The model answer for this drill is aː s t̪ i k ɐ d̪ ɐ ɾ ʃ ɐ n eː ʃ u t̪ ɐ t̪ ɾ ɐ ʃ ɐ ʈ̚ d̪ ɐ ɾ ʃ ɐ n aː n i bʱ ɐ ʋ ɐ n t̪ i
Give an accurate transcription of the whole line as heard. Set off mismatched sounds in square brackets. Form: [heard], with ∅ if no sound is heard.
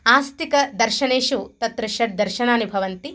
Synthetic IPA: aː s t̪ i k ɐ d̪ ɐ ɾ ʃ ɐ n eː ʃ u t̪ ɐ t̪ ɾ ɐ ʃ ɐ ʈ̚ d̪ ɐ ɾ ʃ ɐ n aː n i bʱ ɐ ʋ ɐ n t̪ i